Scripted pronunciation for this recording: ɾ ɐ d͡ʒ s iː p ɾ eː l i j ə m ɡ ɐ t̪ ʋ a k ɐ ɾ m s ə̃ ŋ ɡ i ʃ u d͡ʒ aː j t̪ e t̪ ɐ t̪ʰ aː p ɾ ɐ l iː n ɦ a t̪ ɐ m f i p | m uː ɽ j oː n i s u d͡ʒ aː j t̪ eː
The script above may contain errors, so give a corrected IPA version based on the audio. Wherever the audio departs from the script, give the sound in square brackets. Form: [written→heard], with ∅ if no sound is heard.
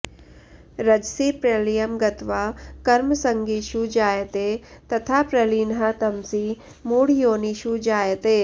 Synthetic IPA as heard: ɾ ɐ d͡ʒ s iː p ɾ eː l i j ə m ɡ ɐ t̪ ʋ a k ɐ ɾ m s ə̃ ŋ ɡ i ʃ u d͡ʒ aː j t̪ e t̪ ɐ t̪ʰ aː p ɾ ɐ l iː n ɦ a t̪ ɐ m [f→s] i [p→∅] | m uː ɽ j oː n i [s→ʃ] u d͡ʒ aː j t̪ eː

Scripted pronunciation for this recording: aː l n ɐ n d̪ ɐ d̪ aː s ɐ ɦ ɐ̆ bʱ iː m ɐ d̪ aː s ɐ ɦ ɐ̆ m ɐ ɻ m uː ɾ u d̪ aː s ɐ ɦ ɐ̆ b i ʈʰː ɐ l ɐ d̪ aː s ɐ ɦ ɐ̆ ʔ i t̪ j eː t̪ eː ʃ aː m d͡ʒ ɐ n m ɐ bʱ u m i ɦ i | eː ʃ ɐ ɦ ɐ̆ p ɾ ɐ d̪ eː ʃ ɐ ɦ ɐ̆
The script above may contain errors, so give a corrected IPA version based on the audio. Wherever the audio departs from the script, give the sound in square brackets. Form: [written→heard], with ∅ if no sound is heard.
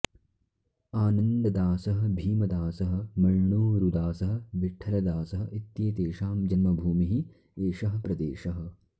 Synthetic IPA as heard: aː [l→∅] n ɐ n d̪ ɐ d̪ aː s ɐ ɦ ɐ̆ bʱ iː m ɐ d̪ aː s ɐ ɦ ɐ̆ m ɐ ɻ [m→ɳ] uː ɾ u d̪ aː s ɐ ɦ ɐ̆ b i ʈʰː ɐ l ɐ d̪ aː s ɐ ɦ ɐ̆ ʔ i t̪ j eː t̪ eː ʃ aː m d͡ʒ ɐ n m ɐ bʱ [u→uː] m i ɦ i | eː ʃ ɐ ɦ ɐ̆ p ɾ ɐ d̪ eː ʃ ɐ ɦ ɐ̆

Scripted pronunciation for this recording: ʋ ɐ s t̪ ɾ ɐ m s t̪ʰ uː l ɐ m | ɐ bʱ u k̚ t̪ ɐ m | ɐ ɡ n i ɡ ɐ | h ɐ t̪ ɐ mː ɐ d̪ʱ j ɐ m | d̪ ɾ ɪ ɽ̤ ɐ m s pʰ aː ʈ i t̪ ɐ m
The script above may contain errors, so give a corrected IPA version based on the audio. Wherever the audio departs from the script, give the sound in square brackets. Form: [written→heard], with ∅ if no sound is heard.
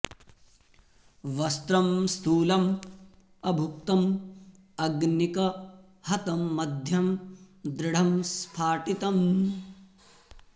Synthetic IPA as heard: ʋ ɐ s t̪ ɾ ɐ m s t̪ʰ uː l ɐ m | ɐ bʱ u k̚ t̪ ɐ m | ɐ ɡ n i [ɡ→k] ɐ | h ɐ t̪ ɐ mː ɐ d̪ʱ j ɐ m | d̪ ɾ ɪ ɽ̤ ɐ m s pʰ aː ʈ i t̪ ɐ m

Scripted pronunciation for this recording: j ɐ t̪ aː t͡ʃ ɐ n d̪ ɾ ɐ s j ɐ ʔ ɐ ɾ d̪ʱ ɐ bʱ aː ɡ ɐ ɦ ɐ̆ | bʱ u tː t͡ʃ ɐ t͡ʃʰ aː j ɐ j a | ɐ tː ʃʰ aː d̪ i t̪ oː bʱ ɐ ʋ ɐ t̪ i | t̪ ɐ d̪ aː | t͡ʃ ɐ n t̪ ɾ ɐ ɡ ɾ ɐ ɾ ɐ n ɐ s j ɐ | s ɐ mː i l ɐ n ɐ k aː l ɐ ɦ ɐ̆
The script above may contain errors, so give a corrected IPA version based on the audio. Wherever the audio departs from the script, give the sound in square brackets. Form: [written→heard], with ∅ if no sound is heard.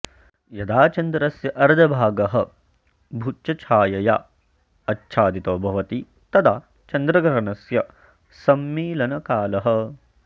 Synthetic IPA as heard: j ɐ [t̪→d̪] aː t͡ʃ ɐ n d̪ ɾ ɐ s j ɐ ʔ ɐ ɾ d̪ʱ ɐ bʱ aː ɡ ɐ ɦ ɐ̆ | bʱ u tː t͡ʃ ɐ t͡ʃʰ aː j ɐ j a | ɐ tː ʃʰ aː d̪ i t̪ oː bʱ ɐ ʋ ɐ t̪ i | t̪ ɐ d̪ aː | t͡ʃ ɐ n [t̪→d̪] ɾ ɐ ɡ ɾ ɐ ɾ ɐ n ɐ s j ɐ | s ɐ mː [i→iː] l ɐ n ɐ k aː l ɐ ɦ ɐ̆

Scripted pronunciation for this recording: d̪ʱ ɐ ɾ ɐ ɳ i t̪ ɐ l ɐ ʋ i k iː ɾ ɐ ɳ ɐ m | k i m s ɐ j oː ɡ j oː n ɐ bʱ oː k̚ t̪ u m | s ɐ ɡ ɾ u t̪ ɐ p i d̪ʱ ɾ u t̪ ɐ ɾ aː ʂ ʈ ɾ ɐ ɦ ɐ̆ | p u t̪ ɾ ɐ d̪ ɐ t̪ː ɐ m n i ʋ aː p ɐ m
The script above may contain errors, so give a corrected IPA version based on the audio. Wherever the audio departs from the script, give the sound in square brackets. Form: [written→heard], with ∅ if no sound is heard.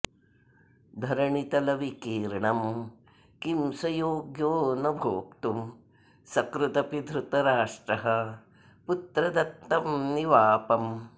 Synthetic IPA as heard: d̪ʱ ɐ ɾ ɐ ɳ i t̪ ɐ l ɐ ʋ i k iː ɾ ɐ ɳ ɐ m | k i m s ɐ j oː ɡ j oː n ɐ bʱ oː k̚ t̪ u m | s ɐ [ɡ→k] ɾ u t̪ ɐ p i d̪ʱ ɾ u t̪ ɐ ɾ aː ʂ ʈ ɾ ɐ ɦ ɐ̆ | p u t̪ ɾ ɐ d̪ ɐ t̪ː ɐ m n i ʋ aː p ɐ m

